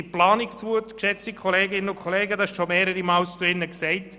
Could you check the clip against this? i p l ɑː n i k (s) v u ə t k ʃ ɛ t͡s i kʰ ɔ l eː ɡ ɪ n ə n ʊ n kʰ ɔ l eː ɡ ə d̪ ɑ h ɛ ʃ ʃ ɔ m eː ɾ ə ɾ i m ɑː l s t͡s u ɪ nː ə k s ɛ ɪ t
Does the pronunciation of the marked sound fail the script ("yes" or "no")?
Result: no